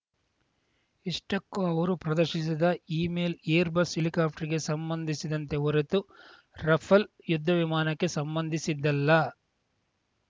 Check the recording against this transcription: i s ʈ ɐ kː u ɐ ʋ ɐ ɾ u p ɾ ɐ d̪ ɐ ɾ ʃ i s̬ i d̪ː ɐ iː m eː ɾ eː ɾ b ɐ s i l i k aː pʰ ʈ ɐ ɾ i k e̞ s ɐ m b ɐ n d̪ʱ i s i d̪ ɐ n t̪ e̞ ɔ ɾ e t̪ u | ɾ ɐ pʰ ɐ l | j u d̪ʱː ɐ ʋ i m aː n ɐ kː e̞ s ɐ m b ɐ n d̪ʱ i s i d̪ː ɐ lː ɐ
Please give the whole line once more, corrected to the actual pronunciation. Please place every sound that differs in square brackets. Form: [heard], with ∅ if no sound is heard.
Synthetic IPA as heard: i [ʂ] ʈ ɐ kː u ɐ ʋ ɐ ɾ u p ɾ ɐ d̪ ɐ ɾ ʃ i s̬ i [d̪] ɐ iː m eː [l] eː ɾ b ɐ s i l i k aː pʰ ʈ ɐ ɾ i [ɡ] e̞ s ɐ m b ɐ n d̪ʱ i s i d̪ ɐ n t̪ e̞ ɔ ɾ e t̪ u | ɾ ɐ pʰ ɐ l | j u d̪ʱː ɐ ʋ i m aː n ɐ kː e̞ s ɐ m b ɐ n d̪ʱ i s i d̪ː ɐ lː ɐ